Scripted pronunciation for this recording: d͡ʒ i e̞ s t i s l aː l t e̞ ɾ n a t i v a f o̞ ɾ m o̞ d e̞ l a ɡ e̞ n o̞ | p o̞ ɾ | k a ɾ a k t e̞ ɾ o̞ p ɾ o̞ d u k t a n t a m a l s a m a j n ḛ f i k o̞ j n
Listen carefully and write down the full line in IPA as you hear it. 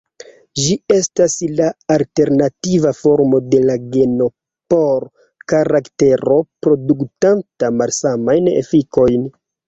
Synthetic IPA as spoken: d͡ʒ i e̞ s t a s l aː l t e̞ ɾ n a t i v a f o̞ ɾ m o̞ d e̞ l a ɡ e̞ n o̞ | p o̞ ɾ | k a ɾ a k t e̞ ɾ o̞ p ɾ o̞ d u k t a n t a m a l s a m a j n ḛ f i k o̞ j n

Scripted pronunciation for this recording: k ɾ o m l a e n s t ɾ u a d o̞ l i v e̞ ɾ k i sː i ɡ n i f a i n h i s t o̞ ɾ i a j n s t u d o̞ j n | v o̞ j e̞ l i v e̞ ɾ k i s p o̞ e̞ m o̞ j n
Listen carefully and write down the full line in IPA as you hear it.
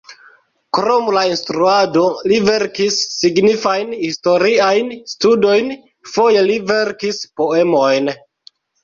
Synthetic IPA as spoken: k ɾ o m l a i n s t ɾ u a d o̞ l i v e̞ ɾ k i sː i ɡ n i f a j n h i s t o̞ ɾ i a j n s t u d o̞ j n | f o̞ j e̞ l i v e̞ ɾ k i s p o̞ e̞ m o̞ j n

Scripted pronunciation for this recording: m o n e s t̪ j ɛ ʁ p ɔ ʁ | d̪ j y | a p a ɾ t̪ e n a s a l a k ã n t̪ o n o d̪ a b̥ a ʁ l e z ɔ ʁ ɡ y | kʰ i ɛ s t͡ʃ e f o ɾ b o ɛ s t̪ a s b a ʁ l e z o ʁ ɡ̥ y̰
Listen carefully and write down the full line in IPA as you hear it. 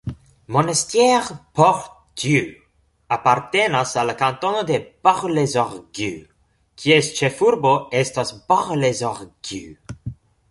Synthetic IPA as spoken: m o n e s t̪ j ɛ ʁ p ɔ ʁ | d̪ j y | a p a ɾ t̪ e n a s a l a k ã n t̪ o n o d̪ e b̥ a ʁ l e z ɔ ʁ ɡ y | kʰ i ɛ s t͡ʃ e f u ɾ b o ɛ s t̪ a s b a ʁ l e z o ʁ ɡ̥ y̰

